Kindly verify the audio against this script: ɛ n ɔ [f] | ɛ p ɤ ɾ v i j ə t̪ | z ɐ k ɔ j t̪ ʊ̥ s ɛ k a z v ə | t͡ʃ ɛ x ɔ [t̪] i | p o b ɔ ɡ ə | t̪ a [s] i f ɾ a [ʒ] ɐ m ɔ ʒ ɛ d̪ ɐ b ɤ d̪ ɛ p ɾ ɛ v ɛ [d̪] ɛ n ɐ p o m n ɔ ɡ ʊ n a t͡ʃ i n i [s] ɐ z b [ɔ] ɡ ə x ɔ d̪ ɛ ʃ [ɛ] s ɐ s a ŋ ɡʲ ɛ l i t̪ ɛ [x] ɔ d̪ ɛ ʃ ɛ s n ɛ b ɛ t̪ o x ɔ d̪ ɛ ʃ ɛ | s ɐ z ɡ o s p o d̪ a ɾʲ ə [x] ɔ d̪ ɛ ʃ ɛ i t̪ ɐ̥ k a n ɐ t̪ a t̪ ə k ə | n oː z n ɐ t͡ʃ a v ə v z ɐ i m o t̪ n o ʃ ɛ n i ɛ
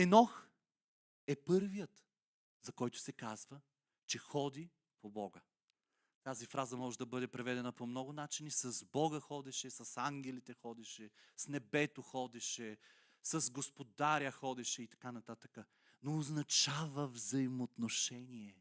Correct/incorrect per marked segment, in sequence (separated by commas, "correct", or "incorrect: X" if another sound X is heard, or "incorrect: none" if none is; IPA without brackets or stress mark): incorrect: x, incorrect: d̪, incorrect: z, incorrect: z, correct, correct, correct, correct, correct, correct